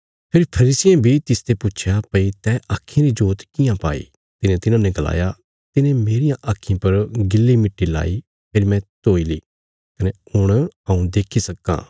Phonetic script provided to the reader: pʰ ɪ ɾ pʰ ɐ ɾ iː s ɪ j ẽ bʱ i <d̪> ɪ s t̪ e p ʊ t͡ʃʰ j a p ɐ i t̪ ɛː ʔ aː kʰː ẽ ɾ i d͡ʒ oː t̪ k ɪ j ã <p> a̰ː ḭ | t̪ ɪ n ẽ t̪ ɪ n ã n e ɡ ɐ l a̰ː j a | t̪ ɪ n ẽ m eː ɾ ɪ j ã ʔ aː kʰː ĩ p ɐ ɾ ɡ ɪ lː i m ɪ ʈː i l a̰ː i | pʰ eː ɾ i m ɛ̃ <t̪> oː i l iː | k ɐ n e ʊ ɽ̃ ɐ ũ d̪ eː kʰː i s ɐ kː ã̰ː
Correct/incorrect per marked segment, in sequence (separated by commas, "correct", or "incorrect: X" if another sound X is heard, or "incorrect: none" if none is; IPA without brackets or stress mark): incorrect: t̪, correct, correct